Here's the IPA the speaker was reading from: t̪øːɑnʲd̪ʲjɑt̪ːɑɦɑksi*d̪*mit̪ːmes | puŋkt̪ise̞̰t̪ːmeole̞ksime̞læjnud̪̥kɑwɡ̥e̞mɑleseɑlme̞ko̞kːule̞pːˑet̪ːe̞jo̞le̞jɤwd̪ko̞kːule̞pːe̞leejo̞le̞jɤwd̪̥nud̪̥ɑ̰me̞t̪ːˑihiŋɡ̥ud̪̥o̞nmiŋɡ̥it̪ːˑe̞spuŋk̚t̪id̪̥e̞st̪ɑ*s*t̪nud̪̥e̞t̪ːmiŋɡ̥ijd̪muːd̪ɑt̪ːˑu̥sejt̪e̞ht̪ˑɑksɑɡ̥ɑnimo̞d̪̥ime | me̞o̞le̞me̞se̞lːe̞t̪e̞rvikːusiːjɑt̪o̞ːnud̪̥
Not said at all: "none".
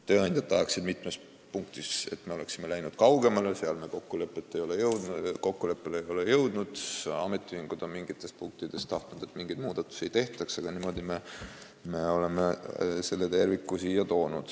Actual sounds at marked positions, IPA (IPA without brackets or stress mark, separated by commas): d̪, h